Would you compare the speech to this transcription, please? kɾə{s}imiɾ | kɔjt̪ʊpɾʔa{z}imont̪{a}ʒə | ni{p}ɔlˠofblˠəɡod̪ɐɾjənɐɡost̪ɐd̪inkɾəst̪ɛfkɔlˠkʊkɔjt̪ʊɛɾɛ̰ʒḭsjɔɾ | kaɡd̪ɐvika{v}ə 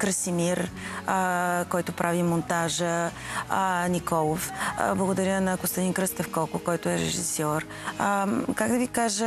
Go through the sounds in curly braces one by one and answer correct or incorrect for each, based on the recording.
correct, incorrect: v, correct, incorrect: k, incorrect: ʒ

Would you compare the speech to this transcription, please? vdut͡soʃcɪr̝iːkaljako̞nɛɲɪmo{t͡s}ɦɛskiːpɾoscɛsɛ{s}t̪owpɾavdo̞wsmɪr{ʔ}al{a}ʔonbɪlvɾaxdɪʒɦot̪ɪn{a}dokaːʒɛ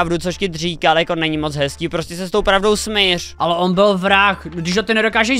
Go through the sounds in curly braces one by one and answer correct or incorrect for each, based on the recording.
correct, correct, correct, incorrect: ɛ, incorrect: ɛ

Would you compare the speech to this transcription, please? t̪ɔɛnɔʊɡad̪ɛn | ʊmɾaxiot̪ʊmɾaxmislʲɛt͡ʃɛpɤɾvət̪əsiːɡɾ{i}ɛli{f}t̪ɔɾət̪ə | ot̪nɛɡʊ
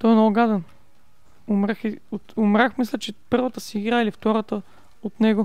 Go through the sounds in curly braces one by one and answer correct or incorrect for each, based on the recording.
incorrect: a, correct

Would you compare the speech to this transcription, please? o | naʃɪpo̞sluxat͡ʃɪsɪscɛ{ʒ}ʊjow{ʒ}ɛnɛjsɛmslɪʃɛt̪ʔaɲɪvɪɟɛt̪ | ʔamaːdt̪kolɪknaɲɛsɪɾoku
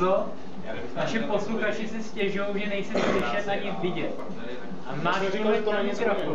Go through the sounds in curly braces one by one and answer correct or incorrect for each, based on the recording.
correct, correct

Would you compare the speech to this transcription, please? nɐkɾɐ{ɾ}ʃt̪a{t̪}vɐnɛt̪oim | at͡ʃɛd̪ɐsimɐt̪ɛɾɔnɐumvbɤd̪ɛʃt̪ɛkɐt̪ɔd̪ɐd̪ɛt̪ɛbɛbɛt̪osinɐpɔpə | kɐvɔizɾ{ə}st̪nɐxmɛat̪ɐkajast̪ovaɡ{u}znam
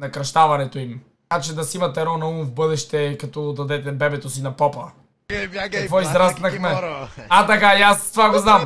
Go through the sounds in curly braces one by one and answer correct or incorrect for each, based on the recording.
incorrect: none, incorrect: none, incorrect: a, incorrect: o

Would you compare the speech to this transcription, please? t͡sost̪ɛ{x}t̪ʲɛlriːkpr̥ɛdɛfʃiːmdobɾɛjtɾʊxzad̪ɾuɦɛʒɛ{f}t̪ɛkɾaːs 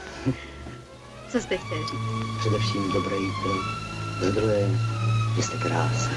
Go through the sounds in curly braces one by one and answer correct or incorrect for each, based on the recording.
correct, incorrect: s

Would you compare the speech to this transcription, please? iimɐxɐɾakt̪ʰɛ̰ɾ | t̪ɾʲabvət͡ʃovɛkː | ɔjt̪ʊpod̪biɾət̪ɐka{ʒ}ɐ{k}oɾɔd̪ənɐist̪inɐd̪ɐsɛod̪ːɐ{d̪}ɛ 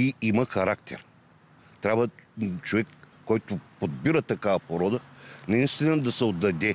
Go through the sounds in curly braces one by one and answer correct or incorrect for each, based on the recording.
incorrect: v, incorrect: p, correct

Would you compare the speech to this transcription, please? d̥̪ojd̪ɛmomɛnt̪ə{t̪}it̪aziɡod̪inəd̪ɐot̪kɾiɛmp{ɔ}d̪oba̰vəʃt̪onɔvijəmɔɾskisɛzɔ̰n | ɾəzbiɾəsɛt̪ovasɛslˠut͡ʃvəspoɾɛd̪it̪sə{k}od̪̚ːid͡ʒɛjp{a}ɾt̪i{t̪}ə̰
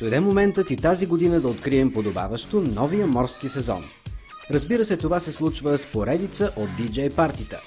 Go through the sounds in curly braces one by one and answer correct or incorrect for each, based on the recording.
correct, incorrect: o, incorrect: ʔ, correct, correct

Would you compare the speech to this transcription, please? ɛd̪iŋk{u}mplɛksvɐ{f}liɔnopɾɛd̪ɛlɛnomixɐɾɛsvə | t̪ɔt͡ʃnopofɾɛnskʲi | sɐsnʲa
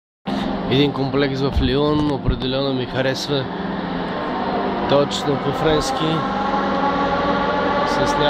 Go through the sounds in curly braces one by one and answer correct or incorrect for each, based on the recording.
incorrect: o, correct

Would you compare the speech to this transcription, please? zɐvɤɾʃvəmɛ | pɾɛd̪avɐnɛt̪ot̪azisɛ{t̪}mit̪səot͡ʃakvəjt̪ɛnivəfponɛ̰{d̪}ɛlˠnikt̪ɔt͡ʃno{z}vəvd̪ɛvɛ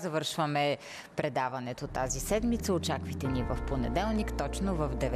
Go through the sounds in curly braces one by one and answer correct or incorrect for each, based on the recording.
incorrect: d̪, correct, incorrect: none

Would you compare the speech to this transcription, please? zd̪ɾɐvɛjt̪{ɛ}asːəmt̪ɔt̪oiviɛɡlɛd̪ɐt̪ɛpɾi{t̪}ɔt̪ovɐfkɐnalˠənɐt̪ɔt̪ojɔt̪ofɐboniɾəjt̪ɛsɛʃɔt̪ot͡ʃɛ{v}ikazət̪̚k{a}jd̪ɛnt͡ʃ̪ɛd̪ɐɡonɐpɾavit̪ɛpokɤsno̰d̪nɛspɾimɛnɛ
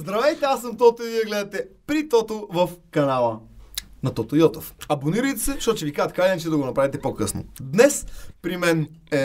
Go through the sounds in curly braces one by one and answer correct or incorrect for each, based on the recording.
correct, correct, correct, correct

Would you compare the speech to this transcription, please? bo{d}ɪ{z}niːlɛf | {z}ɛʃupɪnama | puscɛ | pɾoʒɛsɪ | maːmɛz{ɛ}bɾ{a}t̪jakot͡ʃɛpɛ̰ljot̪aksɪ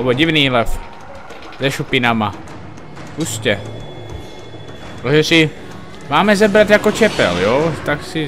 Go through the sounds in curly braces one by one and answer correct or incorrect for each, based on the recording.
incorrect: ɟ, incorrect: v, correct, correct, correct

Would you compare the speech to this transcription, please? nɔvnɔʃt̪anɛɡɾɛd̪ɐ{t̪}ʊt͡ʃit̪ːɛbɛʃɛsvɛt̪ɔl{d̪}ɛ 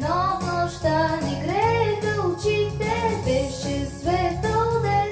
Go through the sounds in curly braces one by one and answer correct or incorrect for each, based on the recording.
incorrect: none, correct

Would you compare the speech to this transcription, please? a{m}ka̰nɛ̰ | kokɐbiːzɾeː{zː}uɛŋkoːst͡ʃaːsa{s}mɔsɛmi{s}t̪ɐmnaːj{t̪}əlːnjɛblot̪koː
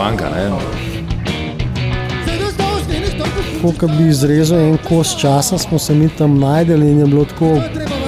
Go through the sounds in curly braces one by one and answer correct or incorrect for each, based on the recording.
incorrect: ŋ, incorrect: z, correct, incorrect: none, incorrect: d̪

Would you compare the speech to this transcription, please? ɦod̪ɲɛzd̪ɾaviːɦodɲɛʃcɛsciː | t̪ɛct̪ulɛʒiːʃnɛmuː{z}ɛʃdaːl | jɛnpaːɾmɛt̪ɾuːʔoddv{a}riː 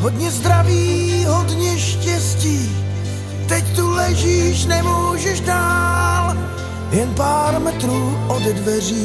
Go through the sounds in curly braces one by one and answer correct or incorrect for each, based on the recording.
incorrect: ʒ, incorrect: ɛ

